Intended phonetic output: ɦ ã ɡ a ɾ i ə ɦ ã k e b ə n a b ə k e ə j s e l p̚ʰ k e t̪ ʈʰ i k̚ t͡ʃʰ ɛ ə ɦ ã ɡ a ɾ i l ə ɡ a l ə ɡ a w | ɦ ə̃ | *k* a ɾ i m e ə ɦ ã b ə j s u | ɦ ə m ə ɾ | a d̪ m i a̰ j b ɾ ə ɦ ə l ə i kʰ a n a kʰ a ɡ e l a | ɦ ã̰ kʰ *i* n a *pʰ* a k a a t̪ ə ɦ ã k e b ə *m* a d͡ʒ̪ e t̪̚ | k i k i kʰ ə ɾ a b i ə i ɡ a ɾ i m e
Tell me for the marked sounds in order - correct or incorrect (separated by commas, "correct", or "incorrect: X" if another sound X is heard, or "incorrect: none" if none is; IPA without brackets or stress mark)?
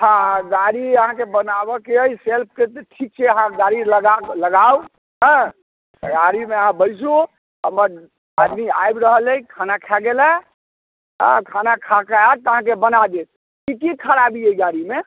incorrect: ɡ, incorrect: a, incorrect: kʰ, incorrect: n